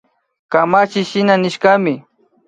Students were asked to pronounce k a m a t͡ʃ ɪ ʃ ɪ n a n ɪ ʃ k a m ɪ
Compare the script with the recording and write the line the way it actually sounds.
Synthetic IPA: k a m a t͡ʃ ɪ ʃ ɪ n a n ɪ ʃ k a m ɪ